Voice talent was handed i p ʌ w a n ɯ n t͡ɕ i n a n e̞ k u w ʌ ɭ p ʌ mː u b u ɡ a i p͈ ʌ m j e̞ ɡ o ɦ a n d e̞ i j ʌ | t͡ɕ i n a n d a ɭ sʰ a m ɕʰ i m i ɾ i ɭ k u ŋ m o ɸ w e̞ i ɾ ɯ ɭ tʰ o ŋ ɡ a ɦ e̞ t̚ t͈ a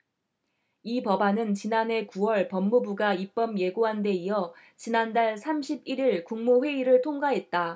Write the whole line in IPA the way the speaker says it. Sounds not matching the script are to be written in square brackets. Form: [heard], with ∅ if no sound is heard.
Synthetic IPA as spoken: i p ʌ [b] a n ɯ n t͡ɕ i n a n e̞ k u w ʌ ɭ p ʌ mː u b u ɡ a i p͈ ʌ m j e̞ ɡ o ɦ a n d e̞ i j ʌ | t͡ɕ i n a n d a ɭ sʰ a m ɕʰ i [b] i ɾ i ɭ k u ŋ m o ɸ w e̞ i ɾ ɯ ɭ tʰ o ŋ ɡ a ɦ e̞ t̚ t͈ a